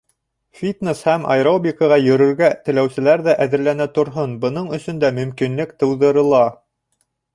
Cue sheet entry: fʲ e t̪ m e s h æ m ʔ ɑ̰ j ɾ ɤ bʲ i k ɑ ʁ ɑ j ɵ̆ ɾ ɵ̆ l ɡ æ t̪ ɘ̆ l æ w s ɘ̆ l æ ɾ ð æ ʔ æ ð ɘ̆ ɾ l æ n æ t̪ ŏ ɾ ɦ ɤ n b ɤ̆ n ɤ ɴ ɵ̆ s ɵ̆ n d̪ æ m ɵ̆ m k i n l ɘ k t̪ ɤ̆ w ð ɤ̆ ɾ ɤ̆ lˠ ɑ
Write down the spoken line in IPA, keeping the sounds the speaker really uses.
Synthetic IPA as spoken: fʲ i t̪ n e s h æ m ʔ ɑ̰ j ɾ o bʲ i k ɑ ʁ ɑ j ɵ̆ ɾ ɵ̆ ɾ ɡ æ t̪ ɘ̆ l æ w s ɘ̆ l æ ɾ ð æ ʔ æ ð ɘ̆ ɾ l æ n æ t̪ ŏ ɾ ɦ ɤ n b ɤ̆ n ɤ ɴ ɵ̆ s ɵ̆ n d̪ æ m ɵ̆ m k i n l ɘ k t̪ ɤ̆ w ð ɤ̆ ɾ ɤ̆ lˠ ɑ